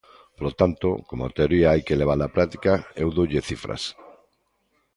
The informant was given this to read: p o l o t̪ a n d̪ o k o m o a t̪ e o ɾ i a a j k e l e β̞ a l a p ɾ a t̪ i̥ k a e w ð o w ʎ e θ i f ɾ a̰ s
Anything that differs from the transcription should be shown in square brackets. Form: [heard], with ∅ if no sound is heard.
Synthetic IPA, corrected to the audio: p o l o t̪ a n [t̪] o k o m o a t̪ e o ɾ i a a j k e l e β̞ a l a p ɾ a t̪ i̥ k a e w ð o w ʎ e θ i f ɾ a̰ s